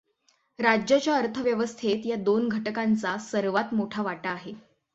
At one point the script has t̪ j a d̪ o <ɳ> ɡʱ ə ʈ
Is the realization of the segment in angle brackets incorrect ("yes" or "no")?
yes